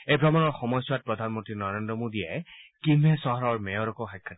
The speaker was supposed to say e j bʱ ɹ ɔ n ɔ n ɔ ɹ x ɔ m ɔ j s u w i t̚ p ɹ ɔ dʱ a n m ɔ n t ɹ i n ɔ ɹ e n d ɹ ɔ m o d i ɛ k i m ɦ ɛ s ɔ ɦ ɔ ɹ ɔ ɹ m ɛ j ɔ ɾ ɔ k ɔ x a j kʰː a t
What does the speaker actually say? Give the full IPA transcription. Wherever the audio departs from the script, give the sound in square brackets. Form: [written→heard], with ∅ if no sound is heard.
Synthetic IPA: e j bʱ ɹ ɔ [n→m] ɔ n ɔ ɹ x ɔ m ɔ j s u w [i→a] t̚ p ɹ ɔ dʱ a n m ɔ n t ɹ i n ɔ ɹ e n d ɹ ɔ m o d i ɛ k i m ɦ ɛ s ɔ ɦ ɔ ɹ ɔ ɹ m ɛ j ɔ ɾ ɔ k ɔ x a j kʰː a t